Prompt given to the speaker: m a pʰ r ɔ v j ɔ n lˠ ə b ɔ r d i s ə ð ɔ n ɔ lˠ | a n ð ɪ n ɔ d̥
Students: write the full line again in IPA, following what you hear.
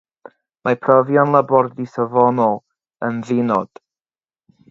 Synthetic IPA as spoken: m a pʰ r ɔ v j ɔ n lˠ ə b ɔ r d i s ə v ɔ n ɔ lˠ | ə n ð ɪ n ɔ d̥